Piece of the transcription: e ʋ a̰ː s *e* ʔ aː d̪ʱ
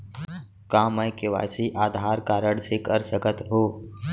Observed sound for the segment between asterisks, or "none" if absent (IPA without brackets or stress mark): i